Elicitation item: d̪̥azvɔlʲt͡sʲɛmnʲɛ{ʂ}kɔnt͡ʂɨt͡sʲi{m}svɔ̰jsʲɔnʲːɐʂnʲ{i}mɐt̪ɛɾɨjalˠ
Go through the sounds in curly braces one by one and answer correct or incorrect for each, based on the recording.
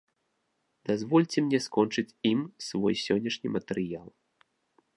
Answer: incorrect, correct, correct

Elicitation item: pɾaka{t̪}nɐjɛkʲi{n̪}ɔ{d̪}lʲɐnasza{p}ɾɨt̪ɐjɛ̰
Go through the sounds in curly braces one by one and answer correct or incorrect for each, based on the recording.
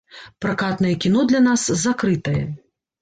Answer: correct, correct, correct, incorrect

